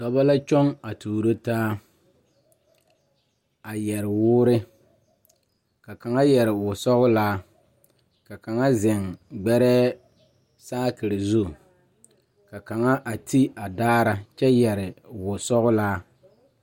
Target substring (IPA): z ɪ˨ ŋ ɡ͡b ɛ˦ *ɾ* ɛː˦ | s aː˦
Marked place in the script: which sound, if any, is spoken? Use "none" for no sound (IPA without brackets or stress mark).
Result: ɾ